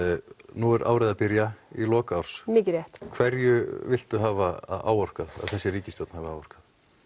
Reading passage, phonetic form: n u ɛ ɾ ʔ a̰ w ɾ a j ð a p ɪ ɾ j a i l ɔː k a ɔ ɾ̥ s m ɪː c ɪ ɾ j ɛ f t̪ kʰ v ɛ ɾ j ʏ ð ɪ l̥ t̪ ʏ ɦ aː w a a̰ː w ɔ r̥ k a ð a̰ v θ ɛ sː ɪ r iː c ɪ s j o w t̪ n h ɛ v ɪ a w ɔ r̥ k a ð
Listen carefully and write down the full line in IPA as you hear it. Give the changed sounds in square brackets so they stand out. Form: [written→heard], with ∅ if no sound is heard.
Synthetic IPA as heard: n u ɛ ɾ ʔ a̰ w ɾ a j ð a p ɪ ɾ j a i l ɔː k a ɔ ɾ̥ s m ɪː c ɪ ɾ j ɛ [f→h] t̪ kʰ v ɛ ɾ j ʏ [ð→v] ɪ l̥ t̪ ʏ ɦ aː [w→v] a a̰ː w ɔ r̥ k a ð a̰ [v→ð] θ ɛ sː ɪ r iː c ɪ s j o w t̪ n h [ɛ→a] v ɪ a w ɔ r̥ k a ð